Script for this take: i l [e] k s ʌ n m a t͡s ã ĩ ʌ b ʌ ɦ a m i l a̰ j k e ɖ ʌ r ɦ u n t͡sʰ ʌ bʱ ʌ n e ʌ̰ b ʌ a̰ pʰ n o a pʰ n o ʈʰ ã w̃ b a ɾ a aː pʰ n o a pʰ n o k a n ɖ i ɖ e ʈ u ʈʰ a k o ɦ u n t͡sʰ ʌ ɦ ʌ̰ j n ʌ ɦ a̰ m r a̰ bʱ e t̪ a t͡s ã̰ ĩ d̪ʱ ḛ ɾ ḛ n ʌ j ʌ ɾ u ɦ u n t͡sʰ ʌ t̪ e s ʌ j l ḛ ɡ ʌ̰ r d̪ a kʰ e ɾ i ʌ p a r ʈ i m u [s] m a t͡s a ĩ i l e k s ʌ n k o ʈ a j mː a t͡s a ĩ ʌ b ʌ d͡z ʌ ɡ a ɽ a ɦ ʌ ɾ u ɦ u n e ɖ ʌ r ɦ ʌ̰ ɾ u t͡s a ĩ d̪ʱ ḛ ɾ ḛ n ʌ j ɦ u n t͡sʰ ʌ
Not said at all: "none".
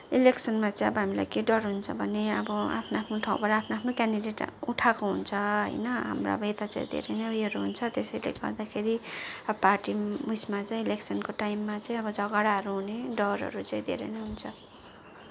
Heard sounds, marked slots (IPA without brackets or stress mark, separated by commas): e, s